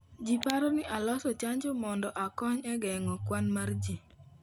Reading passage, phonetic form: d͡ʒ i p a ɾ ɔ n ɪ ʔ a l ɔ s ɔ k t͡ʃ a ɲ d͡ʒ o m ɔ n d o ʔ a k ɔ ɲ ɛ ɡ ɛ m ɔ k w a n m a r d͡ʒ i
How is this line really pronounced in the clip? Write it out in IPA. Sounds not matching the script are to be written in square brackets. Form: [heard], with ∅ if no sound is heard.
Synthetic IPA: d͡ʒ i p a ɾ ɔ n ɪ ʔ a l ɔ s ɔ [∅] t͡ʃ a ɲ d͡ʒ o m ɔ n d [ɔ] ʔ a k ɔ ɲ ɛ ɡ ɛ [ŋ] ɔ k w a n m a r d͡ʒ i